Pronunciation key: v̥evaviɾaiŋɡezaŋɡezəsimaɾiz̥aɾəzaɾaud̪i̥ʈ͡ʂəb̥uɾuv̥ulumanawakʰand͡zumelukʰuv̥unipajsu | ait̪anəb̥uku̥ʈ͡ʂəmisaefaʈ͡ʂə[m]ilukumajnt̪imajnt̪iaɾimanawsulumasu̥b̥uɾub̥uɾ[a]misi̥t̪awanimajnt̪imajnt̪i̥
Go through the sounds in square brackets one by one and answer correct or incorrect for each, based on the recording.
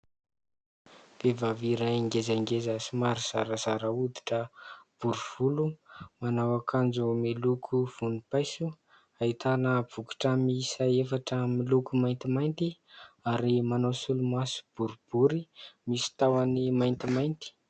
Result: correct, incorrect: i

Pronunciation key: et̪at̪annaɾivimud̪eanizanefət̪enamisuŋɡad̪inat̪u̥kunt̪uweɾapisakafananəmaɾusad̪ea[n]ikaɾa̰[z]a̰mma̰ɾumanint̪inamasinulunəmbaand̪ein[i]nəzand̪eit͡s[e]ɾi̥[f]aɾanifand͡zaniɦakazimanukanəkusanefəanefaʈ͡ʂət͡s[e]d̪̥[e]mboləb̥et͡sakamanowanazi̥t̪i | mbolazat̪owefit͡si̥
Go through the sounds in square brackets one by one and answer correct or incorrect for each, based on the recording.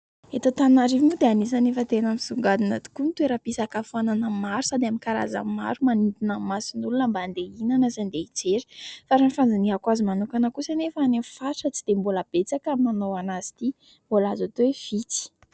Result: incorrect: m, correct, incorrect: a, correct, correct, incorrect: i, correct

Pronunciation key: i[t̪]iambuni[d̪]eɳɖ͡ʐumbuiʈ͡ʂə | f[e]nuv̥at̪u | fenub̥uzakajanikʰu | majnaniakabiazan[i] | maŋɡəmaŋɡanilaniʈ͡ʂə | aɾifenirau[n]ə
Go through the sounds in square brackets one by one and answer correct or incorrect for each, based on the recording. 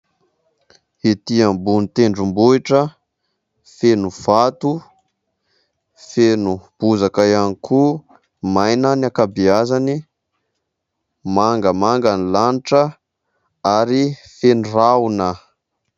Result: correct, incorrect: t̪, correct, correct, correct

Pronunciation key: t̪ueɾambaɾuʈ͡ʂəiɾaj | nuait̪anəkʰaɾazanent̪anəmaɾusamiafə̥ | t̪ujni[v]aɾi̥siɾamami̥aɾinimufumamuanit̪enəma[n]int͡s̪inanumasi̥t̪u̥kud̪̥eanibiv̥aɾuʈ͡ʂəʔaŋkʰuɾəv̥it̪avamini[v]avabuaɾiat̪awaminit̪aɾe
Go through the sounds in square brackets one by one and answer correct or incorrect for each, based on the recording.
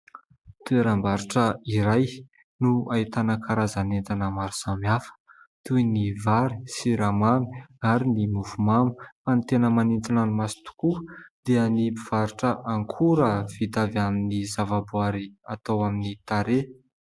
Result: correct, correct, incorrect: z

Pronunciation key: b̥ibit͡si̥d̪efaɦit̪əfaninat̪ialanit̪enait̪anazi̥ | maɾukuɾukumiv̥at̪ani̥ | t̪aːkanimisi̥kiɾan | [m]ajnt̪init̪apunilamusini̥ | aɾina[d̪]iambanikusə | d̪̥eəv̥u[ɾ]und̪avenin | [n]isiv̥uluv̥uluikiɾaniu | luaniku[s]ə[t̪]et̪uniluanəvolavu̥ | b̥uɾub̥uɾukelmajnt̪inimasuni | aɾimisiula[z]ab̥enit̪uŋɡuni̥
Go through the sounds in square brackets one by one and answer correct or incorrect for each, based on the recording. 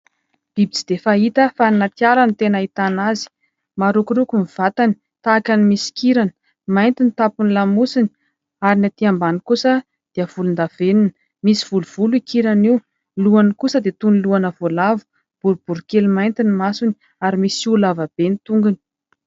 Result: correct, incorrect: t̪, incorrect: l, incorrect: m, correct, incorrect: d̪, incorrect: v

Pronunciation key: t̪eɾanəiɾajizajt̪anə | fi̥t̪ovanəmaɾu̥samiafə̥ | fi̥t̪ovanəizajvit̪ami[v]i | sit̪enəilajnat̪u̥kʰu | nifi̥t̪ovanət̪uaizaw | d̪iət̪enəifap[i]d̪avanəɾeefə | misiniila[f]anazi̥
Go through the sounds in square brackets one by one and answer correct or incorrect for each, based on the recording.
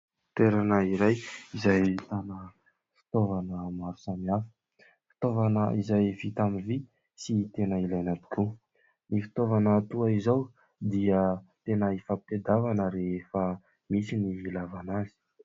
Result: correct, incorrect: e, incorrect: v

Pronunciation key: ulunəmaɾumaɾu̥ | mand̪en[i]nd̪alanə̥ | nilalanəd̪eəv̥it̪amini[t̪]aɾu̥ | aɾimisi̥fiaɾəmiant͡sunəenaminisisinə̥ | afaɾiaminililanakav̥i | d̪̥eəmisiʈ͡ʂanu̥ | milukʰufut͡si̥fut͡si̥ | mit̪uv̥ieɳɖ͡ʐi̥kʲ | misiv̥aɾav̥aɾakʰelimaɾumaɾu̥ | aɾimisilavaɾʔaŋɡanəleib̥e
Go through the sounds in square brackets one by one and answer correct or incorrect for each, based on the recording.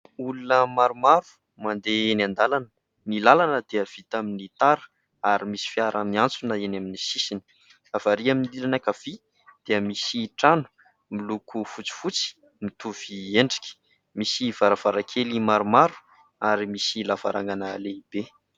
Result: incorrect: a, correct

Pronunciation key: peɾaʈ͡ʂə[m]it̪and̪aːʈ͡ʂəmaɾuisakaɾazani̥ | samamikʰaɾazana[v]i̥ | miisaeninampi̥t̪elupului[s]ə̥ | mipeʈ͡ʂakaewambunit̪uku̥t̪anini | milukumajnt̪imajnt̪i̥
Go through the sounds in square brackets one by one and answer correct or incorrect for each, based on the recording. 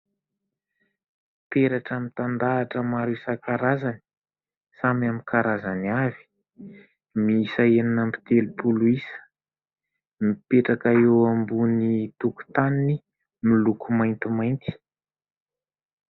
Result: correct, correct, correct

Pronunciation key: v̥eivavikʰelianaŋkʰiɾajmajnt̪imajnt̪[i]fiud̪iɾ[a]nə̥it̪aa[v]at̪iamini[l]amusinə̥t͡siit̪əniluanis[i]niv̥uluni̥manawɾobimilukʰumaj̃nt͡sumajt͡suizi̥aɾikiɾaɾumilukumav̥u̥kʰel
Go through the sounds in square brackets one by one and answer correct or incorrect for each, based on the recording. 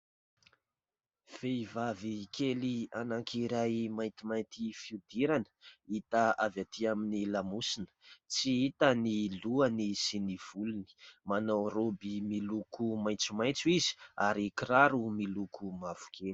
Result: correct, correct, correct, correct, correct

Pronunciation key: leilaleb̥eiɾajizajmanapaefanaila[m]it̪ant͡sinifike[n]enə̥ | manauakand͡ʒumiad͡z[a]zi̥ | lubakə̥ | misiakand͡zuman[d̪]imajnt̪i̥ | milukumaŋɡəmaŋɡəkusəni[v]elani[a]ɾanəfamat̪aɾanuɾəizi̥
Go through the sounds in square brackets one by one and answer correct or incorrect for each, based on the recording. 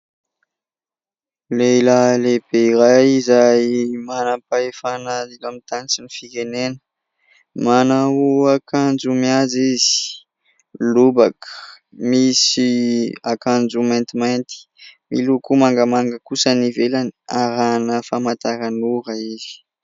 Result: correct, correct, incorrect: i, incorrect: t̪, correct, correct

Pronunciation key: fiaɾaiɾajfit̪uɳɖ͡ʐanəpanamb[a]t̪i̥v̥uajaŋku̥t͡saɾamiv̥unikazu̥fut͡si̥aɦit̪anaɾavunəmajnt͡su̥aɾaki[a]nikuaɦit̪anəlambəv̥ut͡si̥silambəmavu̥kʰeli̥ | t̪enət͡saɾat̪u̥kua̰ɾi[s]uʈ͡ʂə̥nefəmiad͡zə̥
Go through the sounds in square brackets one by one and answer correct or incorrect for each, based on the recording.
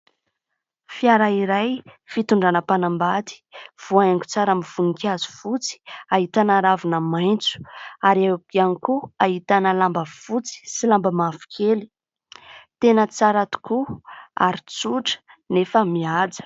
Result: correct, correct, incorrect: t͡s

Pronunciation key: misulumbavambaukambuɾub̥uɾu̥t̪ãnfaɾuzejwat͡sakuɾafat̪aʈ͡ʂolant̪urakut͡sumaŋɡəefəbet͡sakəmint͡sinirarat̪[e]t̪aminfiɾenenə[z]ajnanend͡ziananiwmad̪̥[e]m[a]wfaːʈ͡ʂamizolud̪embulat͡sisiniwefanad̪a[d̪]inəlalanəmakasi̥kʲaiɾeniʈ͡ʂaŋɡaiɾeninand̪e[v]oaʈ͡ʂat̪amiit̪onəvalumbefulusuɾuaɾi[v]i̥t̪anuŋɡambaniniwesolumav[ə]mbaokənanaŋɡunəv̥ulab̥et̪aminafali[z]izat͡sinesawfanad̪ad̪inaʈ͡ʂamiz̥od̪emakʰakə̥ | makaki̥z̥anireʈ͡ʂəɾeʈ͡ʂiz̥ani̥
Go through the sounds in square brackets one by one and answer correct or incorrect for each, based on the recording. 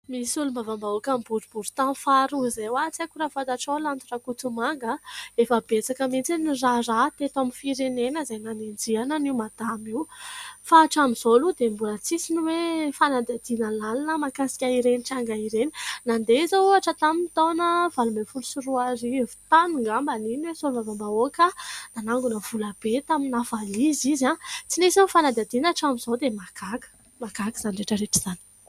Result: correct, correct, incorrect: a, incorrect: i, correct, incorrect: z, correct, incorrect: a, correct

